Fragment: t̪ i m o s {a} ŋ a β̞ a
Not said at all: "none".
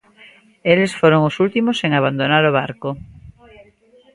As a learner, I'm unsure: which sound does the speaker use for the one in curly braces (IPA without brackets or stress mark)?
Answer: e